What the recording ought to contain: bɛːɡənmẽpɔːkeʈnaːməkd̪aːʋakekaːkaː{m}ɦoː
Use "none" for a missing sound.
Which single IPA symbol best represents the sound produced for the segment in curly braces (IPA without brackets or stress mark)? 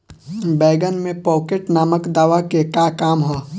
m